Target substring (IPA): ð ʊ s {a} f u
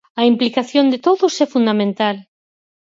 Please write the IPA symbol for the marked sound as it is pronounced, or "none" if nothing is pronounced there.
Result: ɛ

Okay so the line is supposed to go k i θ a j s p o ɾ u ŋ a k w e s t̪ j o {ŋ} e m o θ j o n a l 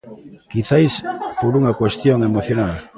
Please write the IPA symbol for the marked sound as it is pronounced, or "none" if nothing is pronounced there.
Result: ŋ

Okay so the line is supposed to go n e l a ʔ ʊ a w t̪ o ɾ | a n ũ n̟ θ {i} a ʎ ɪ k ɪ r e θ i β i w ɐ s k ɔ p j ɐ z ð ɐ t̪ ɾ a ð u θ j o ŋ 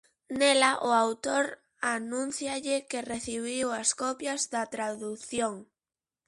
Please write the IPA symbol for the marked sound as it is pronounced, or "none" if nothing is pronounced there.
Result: j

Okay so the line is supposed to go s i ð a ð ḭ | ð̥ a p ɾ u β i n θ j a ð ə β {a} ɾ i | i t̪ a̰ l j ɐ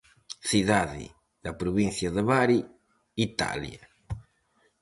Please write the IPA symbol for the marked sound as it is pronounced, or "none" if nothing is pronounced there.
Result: a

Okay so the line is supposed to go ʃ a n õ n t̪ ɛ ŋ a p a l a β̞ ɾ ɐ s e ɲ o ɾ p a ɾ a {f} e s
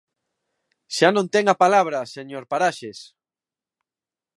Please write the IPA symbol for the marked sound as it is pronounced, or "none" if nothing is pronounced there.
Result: ʃ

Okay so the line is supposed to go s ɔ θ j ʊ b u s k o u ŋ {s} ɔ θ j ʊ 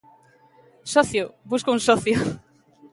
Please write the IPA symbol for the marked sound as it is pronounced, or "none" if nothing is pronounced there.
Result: s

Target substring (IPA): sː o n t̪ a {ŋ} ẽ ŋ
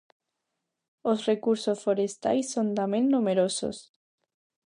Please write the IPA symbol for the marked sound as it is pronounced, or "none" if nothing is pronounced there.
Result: m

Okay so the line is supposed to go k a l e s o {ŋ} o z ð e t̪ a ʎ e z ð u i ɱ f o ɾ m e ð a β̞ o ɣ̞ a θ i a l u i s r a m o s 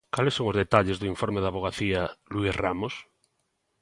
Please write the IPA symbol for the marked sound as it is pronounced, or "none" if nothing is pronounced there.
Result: ŋ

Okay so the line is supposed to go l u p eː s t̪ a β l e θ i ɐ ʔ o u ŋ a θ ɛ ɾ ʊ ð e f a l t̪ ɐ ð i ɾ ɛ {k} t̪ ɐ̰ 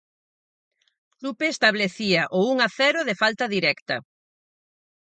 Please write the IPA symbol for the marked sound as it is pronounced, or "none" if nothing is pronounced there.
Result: k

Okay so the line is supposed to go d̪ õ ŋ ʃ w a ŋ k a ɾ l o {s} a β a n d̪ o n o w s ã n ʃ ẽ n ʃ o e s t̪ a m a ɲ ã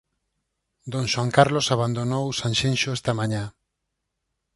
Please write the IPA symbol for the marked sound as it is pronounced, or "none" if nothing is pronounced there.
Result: s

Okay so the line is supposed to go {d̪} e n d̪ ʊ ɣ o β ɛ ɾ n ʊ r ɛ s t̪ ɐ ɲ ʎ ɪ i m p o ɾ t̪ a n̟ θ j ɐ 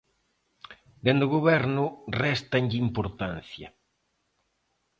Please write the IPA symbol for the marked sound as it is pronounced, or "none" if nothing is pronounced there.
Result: d̪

